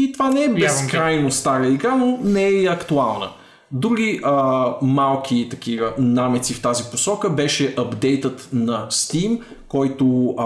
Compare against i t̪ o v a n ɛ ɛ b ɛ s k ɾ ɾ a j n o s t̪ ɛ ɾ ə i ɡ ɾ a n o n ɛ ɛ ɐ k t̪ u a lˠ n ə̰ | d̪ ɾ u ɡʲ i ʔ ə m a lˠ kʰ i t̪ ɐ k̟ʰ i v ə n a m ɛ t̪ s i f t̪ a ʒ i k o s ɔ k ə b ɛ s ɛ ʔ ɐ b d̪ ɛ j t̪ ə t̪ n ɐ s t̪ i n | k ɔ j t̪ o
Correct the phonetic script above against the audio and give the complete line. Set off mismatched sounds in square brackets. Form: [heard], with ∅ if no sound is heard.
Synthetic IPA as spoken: i t̪ o v a n ɛ ɛ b ɛ s k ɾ ɾ a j n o s t̪ [a] ɾ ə i ɡ ɾ a n o n ɛ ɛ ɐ k t̪ u a lˠ n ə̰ | d̪ ɾ u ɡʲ i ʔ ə m a lˠ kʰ i t̪ ɐ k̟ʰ i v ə n a m ɛ t̪ s i f t̪ a [z] i [p] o s ɔ k ə b ɛ [ʃ] ɛ ʔ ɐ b d̪ ɛ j t̪ ə t̪ n ɐ s t̪ i [m] | k ɔ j t̪ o